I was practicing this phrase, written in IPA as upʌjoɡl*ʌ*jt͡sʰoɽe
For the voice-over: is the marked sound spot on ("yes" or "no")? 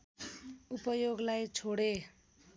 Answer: no